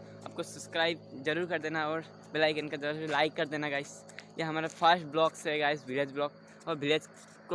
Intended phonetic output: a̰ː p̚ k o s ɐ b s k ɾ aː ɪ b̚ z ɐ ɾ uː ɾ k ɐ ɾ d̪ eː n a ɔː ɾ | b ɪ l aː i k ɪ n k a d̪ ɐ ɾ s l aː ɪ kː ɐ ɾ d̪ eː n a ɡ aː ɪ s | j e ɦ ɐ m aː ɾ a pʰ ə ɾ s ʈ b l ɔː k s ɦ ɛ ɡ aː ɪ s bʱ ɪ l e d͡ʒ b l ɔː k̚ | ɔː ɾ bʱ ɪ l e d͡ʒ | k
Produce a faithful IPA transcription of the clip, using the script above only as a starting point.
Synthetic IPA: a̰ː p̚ k o s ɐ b s k ɾ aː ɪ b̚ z ɐ ɾ uː ɾ k ɐ ɾ d̪ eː n a ɔː ɾ | b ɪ l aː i k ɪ n k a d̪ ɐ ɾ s l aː ɪ kː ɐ ɾ d̪ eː n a ɡ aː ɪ s | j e ɦ ɐ m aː ɾ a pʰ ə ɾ s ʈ b l ɔː k s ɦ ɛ ɡ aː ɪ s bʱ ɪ l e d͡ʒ b l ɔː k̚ | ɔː ɾ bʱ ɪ l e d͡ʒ | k